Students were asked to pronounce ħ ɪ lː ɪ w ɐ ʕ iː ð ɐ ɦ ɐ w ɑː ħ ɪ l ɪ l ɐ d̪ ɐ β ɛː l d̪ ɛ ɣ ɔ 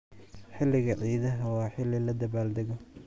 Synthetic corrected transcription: ħ ɪ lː ɪ ɣ ɐ ʕ iː ð ɐ ɦ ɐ w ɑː ħ ɪ l ɪ l ɐ d̪ ɐ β aː l d̪ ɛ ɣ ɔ